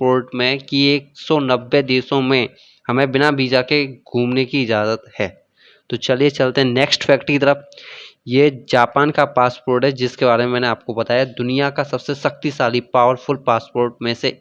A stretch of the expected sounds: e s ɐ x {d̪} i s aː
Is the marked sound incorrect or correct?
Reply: incorrect